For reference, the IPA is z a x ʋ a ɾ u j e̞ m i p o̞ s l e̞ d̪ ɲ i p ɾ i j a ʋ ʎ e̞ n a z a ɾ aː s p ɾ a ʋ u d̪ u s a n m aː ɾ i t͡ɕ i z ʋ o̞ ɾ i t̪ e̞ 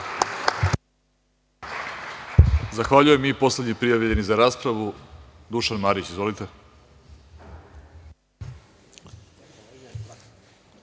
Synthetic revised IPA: z a x ʋ a ʎ u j e̞ m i p o̞ s l e̞ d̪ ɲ i p ɾ i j a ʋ ʎ e̞ n i z a ɾ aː s p ɾ a ʋ u d̪ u ʃ a n m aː ɾ i t͡ɕ i z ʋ o̞ l i t̪ e̞